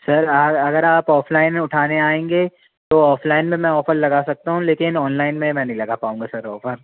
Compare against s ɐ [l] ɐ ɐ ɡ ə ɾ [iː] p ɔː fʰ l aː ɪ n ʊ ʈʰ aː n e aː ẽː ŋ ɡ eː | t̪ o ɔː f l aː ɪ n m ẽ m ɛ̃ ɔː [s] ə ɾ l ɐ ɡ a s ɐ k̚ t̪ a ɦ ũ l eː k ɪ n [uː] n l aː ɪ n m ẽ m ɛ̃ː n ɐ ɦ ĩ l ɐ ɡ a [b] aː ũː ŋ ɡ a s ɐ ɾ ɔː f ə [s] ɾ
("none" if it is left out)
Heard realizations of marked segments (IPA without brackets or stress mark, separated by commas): ɾ, aː, f, ɔː, p, none